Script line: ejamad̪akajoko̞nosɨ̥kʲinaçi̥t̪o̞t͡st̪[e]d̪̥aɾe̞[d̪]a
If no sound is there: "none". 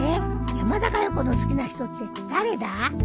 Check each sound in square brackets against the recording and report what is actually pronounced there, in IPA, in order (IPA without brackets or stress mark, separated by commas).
e, d̪